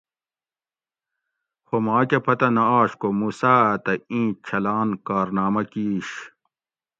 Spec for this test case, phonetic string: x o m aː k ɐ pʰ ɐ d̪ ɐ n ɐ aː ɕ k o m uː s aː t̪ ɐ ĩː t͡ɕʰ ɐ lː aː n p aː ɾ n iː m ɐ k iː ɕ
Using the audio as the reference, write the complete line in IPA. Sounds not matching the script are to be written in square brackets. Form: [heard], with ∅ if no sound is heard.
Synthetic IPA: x o m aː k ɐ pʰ ɐ [t̪] ɐ n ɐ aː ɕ k o m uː s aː t̪ ɐ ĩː t͡ɕʰ ɐ [l] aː n [k] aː ɾ n [aː] m ɐ k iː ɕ